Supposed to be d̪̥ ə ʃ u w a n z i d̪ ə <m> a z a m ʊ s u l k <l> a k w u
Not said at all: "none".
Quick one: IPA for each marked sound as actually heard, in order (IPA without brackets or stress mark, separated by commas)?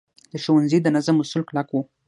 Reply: n, l